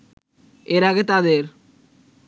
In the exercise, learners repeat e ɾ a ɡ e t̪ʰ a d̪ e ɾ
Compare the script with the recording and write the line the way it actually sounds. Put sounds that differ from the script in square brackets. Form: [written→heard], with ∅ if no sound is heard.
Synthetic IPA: e ɾ a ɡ e [t̪ʰ→t̪] a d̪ e ɾ